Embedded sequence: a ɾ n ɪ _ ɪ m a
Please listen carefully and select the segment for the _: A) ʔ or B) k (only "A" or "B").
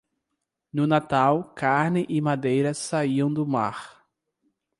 A